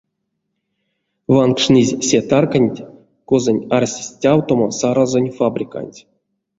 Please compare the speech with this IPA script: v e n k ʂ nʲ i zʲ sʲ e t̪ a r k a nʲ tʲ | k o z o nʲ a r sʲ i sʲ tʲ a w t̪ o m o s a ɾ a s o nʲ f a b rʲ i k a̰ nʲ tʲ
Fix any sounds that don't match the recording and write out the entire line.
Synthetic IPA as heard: v a n k ʂ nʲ i zʲ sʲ e t̪ a r k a nʲ tʲ | k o z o nʲ a r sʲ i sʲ tʲ a w t̪ o m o s a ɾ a z o nʲ f a b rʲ i k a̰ nʲ tʲ